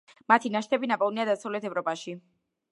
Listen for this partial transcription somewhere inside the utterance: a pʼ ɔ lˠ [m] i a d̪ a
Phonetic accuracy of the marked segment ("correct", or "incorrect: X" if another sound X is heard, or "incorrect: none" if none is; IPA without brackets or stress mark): incorrect: n